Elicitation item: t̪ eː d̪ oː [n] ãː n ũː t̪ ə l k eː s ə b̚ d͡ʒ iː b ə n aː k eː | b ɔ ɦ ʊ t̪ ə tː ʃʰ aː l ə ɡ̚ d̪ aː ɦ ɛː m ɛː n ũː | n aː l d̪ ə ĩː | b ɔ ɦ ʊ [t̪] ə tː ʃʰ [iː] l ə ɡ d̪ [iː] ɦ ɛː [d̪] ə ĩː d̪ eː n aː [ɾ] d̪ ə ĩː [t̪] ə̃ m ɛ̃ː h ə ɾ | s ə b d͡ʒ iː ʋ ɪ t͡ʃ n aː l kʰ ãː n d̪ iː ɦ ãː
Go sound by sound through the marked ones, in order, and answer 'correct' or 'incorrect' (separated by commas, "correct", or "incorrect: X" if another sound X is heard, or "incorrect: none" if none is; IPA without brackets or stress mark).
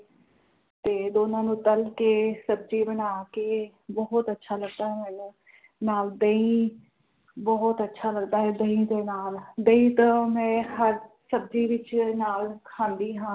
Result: correct, correct, incorrect: aː, incorrect: aː, correct, incorrect: l, correct